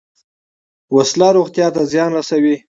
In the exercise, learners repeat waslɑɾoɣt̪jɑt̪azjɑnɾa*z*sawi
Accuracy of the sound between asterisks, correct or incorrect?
incorrect